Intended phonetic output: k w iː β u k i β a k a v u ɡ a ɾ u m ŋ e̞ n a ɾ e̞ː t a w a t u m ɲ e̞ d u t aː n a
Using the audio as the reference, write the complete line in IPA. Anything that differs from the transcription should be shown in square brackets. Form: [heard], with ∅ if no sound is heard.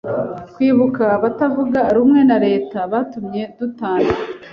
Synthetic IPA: k w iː β u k [a] β a [t] a v u ɡ a ɾ u m ŋ e̞ n a ɾ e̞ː t a [β] a t u m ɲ e̞ d u t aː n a